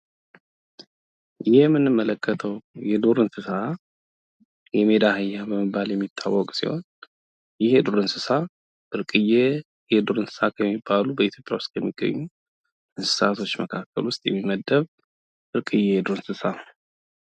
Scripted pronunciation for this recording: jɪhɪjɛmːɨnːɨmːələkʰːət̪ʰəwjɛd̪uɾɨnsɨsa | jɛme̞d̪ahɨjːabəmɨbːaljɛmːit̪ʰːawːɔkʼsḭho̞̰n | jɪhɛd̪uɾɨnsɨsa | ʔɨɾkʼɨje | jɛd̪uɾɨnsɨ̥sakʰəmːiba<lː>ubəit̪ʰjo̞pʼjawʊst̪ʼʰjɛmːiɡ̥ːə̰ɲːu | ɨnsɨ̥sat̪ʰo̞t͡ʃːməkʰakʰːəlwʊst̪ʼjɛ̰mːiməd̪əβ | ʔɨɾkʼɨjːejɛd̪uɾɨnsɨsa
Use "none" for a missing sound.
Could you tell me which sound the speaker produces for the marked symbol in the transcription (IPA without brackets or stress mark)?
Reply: l